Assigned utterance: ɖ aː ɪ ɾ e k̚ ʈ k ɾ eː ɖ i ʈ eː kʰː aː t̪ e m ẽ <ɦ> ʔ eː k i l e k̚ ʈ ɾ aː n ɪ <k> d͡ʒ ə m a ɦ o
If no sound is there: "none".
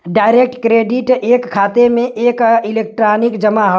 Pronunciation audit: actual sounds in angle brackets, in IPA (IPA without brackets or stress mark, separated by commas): none, k